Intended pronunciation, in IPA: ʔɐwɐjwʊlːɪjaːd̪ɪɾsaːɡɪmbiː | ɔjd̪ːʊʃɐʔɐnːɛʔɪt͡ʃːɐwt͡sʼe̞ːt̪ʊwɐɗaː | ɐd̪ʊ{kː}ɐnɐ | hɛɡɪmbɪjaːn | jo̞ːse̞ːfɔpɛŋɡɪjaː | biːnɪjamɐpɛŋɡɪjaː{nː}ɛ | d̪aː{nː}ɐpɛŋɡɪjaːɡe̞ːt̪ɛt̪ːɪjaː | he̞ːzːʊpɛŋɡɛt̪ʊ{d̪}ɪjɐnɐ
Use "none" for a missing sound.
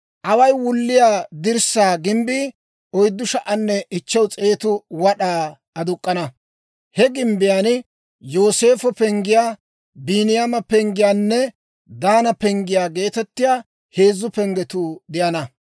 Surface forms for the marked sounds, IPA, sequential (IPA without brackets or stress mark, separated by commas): kʼː, nː, n, d̪